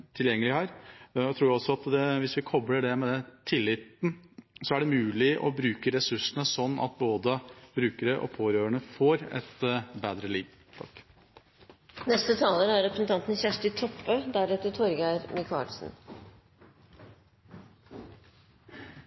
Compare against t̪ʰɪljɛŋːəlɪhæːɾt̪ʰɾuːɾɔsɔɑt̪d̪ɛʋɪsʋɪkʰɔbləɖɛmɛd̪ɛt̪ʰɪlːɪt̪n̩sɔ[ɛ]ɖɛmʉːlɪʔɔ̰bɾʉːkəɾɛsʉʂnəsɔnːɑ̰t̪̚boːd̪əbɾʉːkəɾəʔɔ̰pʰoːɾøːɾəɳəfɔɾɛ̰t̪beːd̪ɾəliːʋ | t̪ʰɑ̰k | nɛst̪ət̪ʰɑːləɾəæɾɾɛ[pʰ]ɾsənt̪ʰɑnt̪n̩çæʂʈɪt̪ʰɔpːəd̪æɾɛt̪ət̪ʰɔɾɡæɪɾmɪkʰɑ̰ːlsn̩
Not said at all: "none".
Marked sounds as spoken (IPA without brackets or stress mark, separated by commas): æ, p